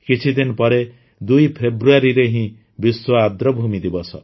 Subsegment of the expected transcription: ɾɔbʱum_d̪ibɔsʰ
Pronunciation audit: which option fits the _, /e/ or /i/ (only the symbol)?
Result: i